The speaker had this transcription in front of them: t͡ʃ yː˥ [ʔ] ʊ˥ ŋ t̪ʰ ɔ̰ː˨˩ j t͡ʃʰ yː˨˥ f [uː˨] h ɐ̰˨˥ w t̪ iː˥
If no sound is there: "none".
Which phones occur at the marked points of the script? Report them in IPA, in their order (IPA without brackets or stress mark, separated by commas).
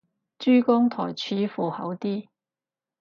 k, uː˨